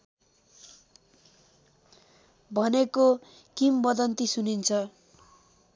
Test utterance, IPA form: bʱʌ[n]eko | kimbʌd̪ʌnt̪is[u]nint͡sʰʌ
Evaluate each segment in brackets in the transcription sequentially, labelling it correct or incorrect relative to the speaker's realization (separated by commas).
correct, correct